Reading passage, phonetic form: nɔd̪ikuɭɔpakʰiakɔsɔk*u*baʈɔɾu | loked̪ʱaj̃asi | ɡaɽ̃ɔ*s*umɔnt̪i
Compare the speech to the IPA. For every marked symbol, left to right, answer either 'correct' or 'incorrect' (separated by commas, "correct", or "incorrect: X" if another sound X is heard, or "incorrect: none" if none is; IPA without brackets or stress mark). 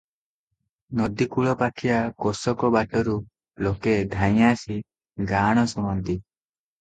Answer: incorrect: ɔ, correct